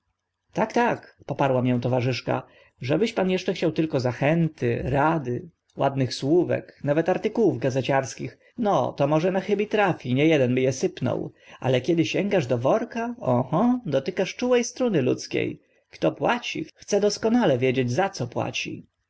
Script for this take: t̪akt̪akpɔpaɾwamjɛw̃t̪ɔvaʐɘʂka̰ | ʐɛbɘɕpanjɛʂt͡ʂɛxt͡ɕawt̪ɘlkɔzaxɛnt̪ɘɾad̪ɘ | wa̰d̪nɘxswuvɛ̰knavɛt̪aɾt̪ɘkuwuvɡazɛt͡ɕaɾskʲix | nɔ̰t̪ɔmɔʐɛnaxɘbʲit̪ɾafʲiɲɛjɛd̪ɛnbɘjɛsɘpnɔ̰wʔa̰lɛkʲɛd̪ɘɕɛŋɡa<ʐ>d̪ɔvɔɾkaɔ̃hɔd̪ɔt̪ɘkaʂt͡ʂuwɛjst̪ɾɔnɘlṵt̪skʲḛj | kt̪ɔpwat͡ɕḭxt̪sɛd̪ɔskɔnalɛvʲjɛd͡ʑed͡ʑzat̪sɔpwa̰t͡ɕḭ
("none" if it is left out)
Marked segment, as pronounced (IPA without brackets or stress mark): ʐ